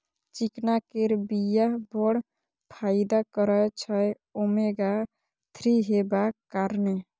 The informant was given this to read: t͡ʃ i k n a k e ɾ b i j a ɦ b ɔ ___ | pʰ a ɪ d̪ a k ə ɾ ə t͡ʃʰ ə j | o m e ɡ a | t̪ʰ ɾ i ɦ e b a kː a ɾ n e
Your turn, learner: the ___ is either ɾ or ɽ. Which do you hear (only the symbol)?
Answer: ɽ